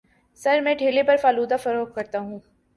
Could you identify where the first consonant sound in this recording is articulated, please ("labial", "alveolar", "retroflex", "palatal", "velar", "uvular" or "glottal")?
alveolar